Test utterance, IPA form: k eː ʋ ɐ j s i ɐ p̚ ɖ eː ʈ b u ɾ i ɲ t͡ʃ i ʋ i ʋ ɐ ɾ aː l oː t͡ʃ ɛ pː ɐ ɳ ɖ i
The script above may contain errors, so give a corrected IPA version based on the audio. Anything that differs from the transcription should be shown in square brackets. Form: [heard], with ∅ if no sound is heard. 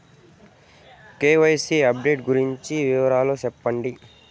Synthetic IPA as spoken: k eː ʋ ɐ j s i ɐ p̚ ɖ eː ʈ [ɡ] u ɾ i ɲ t͡ʃ i ʋ i ʋ ɐ ɾ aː l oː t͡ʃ ɛ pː ɐ ɳ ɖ i